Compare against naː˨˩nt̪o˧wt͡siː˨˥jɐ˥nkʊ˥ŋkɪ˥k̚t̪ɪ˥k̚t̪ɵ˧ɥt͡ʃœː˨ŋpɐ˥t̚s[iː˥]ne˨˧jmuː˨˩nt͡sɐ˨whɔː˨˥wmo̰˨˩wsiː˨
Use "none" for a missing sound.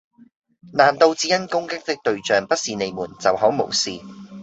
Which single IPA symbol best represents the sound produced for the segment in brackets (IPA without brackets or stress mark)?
iː˨